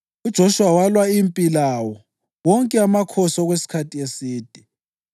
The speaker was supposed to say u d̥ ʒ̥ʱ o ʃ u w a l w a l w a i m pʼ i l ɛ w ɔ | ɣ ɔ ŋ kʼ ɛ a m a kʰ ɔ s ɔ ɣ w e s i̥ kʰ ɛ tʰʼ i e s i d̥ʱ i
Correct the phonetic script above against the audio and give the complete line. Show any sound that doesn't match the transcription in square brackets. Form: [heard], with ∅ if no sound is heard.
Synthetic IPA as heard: u d̥ ʒ̥ʱ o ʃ u w a [∅] w a l w a i m pʼ i l [a] w ɔ | [w] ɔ ŋ kʼ ɛ a m a kʰ ɔ s ɔ ɣ w e s i̥ kʰ [a] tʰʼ i e s [iː] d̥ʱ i